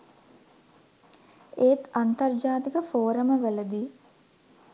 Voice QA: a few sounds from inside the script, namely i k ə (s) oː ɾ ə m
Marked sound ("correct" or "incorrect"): incorrect